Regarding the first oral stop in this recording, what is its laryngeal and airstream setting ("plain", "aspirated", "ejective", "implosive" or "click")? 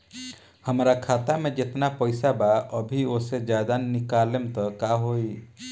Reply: aspirated